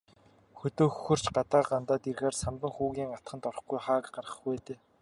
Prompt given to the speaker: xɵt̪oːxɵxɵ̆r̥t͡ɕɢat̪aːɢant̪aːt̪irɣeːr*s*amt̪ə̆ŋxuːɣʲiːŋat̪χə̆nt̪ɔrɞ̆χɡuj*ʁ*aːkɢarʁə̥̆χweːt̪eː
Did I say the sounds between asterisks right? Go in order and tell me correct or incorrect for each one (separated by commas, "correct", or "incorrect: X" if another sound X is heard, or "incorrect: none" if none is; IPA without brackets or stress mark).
correct, incorrect: χ